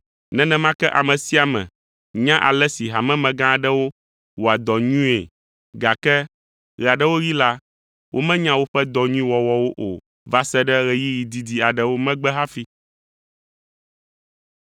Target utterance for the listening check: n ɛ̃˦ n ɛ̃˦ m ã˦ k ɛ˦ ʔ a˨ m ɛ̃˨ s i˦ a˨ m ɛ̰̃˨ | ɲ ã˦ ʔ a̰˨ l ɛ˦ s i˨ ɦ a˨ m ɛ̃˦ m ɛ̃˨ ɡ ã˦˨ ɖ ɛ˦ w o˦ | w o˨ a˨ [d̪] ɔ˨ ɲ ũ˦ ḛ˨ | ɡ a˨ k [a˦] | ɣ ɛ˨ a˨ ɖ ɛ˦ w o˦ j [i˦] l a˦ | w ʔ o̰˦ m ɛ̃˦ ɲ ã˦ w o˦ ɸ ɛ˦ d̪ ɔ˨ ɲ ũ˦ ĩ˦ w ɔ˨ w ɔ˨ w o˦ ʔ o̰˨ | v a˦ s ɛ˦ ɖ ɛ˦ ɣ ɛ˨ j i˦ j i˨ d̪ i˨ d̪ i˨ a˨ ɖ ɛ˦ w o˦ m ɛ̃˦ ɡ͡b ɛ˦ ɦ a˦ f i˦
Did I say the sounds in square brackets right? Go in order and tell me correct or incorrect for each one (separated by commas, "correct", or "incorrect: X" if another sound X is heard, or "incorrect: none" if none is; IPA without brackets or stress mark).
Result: correct, incorrect: ɛ˦, correct